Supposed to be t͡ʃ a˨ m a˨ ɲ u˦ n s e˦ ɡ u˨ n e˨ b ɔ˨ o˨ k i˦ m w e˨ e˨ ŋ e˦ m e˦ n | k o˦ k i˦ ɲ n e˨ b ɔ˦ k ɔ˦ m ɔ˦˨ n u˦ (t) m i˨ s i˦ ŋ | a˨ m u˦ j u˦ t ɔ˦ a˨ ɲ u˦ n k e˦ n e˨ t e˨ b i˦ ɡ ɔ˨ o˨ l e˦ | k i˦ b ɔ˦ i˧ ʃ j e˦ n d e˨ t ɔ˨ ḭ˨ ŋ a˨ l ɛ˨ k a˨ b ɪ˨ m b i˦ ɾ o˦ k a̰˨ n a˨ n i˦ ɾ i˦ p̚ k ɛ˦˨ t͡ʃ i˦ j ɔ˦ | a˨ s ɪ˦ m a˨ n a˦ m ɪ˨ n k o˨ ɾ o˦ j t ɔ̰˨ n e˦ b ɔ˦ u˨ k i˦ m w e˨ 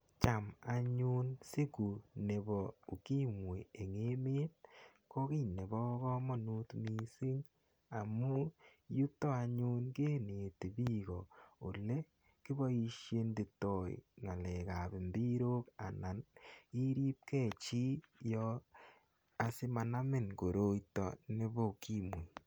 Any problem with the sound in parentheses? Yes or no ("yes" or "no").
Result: no